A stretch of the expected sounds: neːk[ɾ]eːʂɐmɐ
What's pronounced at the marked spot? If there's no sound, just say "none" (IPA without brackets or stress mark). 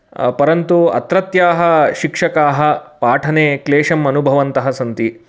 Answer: l